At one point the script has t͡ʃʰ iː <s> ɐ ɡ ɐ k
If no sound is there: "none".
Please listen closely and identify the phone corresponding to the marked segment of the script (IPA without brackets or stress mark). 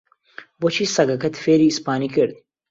s